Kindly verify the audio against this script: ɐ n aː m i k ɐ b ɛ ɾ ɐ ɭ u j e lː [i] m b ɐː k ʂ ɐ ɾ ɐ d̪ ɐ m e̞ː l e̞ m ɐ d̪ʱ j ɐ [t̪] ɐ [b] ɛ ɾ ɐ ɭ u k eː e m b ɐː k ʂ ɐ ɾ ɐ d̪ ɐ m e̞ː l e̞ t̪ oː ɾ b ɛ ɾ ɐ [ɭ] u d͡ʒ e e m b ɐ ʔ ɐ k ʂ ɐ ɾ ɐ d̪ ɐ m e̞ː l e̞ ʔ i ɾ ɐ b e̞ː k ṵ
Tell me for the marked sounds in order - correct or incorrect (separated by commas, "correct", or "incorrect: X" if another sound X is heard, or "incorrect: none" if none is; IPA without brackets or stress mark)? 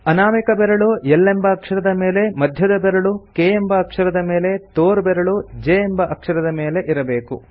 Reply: incorrect: e, incorrect: d̪, correct, correct